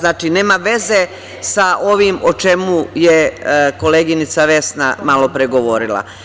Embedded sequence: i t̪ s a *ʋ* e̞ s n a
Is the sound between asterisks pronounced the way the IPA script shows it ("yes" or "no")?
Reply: yes